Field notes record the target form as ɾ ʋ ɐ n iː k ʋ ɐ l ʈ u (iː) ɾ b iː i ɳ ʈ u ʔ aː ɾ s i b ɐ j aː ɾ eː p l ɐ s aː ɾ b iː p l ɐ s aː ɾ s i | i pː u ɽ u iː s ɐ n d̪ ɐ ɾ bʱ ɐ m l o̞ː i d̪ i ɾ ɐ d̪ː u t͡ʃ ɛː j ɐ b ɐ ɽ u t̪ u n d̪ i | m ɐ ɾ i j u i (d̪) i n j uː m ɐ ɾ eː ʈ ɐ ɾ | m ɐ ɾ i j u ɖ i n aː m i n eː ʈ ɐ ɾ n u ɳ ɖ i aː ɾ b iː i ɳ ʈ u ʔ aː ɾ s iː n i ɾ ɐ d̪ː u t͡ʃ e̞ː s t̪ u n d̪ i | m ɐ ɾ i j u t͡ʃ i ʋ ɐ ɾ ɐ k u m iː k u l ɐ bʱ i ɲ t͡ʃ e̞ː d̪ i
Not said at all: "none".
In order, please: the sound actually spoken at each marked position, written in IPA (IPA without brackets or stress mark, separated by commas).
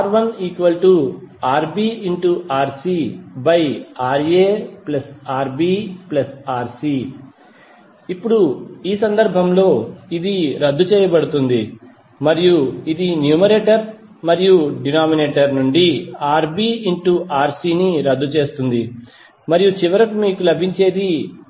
aː, d̪